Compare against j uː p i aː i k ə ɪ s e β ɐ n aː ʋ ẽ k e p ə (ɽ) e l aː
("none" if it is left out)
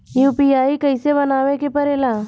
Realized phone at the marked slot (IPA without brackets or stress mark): ɾ